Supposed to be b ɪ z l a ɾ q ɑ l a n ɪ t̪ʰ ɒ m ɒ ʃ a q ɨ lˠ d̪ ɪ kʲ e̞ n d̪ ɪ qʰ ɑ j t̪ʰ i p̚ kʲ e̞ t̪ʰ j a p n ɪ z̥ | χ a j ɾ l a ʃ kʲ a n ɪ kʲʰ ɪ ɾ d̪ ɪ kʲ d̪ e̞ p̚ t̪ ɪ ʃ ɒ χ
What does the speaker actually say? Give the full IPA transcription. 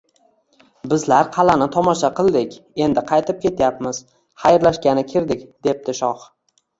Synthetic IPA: b ɪ z l a ɾ qʰ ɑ l a n ɪ t̪ʰ ɒ m ɒ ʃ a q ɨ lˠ d̪ ɪ kʲ e̞ n d̪ ɪ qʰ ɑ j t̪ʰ ɪ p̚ kʲ e̞ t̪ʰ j a p m ɪ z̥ | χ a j ɾ l a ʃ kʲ a n ɪ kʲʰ ɪ ɾ d̪ ɪ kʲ d̪ e̞ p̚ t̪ ɪ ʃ ɒ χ